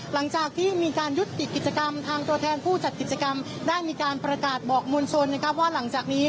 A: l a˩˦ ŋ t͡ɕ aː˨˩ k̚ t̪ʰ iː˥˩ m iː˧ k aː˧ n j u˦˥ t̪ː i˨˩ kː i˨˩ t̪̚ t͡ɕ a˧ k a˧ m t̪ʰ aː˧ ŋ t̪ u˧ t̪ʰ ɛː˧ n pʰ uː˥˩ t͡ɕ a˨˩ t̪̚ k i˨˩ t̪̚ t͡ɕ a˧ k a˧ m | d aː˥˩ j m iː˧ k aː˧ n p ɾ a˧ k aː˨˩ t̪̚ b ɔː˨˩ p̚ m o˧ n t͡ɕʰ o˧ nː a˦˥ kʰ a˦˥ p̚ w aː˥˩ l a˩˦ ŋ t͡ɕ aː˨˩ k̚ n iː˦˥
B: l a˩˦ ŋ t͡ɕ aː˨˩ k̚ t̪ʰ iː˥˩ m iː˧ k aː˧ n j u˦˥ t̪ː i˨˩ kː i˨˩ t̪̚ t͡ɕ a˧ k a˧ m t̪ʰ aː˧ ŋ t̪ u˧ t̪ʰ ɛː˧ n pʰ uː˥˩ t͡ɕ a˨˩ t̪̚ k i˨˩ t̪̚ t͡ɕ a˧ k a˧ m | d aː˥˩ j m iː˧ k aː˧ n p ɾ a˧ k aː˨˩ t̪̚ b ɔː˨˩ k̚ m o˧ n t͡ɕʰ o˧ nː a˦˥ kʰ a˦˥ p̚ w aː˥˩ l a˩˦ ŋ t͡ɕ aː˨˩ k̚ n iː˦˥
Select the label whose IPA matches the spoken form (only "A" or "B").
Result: B